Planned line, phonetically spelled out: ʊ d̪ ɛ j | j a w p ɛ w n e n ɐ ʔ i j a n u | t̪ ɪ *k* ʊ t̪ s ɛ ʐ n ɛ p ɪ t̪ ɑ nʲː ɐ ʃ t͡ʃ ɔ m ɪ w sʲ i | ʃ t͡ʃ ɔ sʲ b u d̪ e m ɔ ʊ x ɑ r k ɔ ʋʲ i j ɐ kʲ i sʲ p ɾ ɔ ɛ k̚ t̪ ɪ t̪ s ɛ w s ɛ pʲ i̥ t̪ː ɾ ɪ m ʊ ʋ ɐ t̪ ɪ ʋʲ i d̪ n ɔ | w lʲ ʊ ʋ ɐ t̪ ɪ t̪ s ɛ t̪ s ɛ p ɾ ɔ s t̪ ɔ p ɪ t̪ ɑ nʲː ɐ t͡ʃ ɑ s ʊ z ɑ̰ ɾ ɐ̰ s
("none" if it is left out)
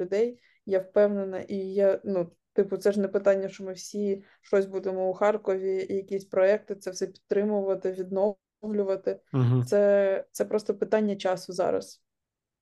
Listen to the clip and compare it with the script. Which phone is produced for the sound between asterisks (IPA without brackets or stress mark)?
p